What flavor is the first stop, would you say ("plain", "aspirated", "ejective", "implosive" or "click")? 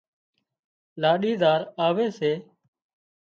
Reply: implosive